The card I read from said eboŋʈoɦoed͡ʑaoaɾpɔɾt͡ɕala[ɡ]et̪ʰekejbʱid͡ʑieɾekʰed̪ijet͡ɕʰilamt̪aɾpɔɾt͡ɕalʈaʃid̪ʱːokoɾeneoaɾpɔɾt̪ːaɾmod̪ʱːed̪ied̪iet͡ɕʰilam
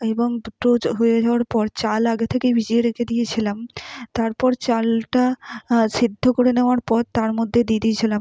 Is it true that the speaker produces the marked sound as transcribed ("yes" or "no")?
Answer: yes